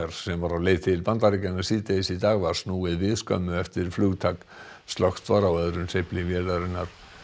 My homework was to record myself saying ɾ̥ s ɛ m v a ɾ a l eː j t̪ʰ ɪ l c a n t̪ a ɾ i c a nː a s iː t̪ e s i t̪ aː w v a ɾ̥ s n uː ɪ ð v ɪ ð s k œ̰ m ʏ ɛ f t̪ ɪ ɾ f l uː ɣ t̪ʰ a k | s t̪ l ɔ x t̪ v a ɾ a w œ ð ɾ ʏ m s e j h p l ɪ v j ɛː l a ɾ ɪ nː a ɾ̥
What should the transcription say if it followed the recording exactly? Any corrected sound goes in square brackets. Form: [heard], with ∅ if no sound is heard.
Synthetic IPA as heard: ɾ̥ s ɛ m v a ɾ a l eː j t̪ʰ ɪ l [p] a n t̪ a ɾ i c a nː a s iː t̪ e s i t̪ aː [ɣ] v a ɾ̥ s n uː ɪ ð v ɪ ð s k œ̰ m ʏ ɛ f t̪ ɪ ɾ f l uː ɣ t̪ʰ a k | s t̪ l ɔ x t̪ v a ɾ a w œ ð ɾ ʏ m s e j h p l ɪ v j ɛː l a ɾ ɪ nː a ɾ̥